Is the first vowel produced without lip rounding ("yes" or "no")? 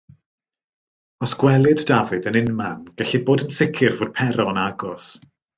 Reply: no